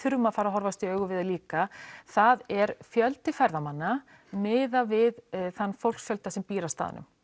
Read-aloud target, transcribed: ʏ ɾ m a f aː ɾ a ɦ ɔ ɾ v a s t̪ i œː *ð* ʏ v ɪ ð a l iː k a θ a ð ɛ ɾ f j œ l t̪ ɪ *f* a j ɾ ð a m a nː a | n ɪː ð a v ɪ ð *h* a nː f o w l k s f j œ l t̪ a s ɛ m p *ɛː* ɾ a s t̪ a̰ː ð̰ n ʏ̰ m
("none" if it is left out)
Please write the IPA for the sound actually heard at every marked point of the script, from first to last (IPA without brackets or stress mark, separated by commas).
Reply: ɣ, f, θ, iː